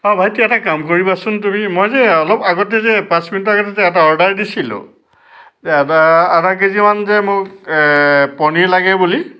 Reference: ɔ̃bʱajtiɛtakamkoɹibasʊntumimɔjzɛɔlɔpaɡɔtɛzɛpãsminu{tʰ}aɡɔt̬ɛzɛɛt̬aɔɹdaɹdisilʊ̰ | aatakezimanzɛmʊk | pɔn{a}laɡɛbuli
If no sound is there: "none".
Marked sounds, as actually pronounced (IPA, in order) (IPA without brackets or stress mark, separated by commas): t, i